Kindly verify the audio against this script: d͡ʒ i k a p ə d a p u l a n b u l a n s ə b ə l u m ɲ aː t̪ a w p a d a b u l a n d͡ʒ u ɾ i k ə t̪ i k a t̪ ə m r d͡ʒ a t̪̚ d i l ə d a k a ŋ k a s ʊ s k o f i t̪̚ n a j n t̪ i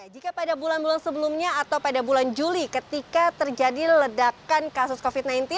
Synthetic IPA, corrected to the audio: d͡ʒ i k a p a d a b u l a n b u l a n s ə b ə l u m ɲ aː t̪ a w p a d a b u l a n d͡ʒ u l i k ə t̪ i k a t̪ ə r d͡ʒ a d i l ə d a k a n k a s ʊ s k o f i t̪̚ n a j n t̪ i